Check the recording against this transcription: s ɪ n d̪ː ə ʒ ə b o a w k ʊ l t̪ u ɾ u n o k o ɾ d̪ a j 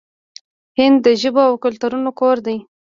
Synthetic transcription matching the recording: h ɪ n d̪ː ə ʒ ə b o a w k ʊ l t̪ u ɾ u n o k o ɾ d̪ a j